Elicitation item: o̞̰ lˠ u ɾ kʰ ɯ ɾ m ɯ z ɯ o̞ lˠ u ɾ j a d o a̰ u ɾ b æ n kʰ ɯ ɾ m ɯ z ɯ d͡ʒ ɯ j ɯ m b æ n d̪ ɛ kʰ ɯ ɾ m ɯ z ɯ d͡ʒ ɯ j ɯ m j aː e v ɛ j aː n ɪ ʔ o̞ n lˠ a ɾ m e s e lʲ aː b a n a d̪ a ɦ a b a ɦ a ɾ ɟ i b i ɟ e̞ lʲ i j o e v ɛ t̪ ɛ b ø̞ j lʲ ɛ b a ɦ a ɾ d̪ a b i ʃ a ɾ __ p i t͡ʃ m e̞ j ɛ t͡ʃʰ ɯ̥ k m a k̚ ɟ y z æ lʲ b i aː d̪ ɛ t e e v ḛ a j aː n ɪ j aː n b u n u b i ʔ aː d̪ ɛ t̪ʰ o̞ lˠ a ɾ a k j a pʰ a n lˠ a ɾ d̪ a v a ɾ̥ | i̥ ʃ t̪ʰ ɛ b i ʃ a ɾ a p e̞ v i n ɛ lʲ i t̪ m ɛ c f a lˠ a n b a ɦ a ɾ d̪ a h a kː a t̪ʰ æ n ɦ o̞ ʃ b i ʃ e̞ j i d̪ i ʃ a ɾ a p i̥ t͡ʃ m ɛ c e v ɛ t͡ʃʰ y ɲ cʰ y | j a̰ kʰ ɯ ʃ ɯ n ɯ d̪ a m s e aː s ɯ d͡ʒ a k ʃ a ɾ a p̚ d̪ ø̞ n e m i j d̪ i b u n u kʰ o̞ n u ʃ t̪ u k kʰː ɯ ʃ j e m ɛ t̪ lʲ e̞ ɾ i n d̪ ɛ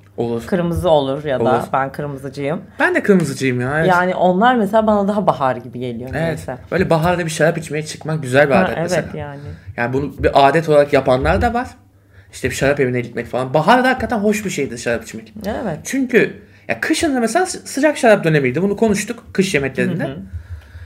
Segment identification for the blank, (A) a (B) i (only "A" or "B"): A